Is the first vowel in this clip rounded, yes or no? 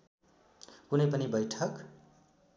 yes